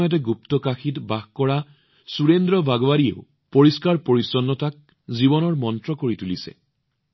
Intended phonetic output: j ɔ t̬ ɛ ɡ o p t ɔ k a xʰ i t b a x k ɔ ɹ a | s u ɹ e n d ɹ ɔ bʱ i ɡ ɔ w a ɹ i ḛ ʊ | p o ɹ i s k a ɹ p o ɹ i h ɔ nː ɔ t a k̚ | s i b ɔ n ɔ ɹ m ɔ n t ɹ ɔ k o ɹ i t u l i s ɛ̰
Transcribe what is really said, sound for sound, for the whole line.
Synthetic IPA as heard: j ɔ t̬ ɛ ɡ u p t ɔ k a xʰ i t b a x k ɔ ɹ a | s u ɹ e n d ɹ ɔ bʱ a ɡ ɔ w a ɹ i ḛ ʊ | p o ɹ i s k a ɹ p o ɹ i s ɔ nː ɔ t a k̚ | z i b ɔ n ɔ ɹ m ɔ n t ɹ ɔ k o ɹ i t u l i s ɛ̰